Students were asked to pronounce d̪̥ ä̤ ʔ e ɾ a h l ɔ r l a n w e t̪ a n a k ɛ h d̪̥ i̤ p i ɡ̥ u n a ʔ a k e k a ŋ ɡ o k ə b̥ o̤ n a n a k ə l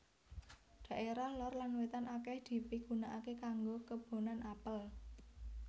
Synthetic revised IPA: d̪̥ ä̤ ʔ e ɾ a h l ɔ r l a n w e t̪ a n a k ɛ h d̪̥ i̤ p i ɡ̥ u n a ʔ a k e k a ŋ ɡ o k ə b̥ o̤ n a n a p ə l

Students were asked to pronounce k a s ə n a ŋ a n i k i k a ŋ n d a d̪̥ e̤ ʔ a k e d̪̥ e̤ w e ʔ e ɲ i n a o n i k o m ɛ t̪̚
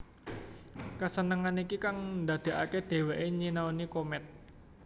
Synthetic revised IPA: k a s ə n ə ŋ a n i k i k a ŋ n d a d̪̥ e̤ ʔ a k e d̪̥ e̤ w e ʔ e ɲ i n a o n i k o m ɛ t̪̚

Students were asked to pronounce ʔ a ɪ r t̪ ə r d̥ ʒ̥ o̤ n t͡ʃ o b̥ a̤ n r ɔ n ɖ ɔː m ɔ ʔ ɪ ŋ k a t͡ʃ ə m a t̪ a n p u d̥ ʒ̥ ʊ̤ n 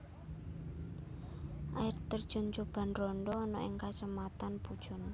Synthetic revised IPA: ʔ a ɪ r t̪ ə r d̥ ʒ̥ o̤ n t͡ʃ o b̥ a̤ n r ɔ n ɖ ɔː n ɔ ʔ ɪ ŋ k a t͡ʃ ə m a t̪ a n p u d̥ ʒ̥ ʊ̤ n

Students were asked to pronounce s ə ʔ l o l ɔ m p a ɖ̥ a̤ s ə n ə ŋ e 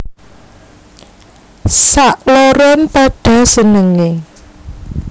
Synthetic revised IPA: s a ʔ l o ɾ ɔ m p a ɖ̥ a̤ s ə n ə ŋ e

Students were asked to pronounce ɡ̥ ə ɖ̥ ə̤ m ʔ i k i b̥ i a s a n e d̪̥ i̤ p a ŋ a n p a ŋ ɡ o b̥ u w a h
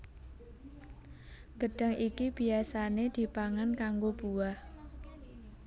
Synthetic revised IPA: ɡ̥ ə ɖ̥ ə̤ ŋ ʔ i k i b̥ i a s a n e d̪̥ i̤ p a ŋ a n k a ŋ ɡ o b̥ u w a h

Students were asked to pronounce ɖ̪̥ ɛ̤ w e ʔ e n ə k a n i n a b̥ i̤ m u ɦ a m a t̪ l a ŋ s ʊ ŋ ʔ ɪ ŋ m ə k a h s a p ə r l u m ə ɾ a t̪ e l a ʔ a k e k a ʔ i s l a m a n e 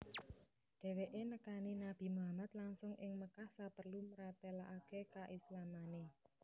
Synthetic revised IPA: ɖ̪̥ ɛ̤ w e ʔ e n ə k a n i n a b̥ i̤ m u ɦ a m a t̪ l a ŋ s ʊ ŋ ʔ ɪ ŋ m ə k a h s a p ə r l u m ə ɾ a t̪ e l a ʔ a k e k a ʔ i s l a m a n e

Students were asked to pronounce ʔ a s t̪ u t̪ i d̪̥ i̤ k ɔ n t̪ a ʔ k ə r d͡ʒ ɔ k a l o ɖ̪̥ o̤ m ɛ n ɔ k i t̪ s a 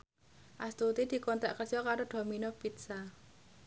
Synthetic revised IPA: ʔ a s t̪ u t̪ i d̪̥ i̤ k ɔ n t̪ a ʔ k ə r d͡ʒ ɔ k a ɾ o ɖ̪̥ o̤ m i n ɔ p i t̪ s a

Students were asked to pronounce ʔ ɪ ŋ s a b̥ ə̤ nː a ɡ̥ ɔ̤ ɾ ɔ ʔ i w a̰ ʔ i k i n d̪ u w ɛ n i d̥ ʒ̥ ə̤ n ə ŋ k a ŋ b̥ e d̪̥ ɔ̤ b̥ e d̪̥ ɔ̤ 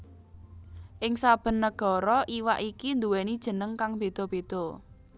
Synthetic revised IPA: ʔ ɪ ŋ s a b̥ ə̤ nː ə ɡ̥ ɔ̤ ɾ ɔ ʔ i w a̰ ʔ i k i n d̪ u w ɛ n i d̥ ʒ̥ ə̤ n ə ŋ k a ŋ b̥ e d̪̥ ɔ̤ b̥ e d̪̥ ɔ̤

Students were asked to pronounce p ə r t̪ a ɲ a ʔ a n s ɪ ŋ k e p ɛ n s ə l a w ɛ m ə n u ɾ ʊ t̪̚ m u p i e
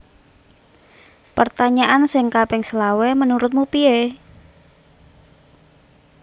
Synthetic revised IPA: p ə r t̪ a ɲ a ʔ a n s ɪ ŋ k a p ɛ ŋ s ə l a w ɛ m ə n u ɾ ʊ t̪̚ m u p i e

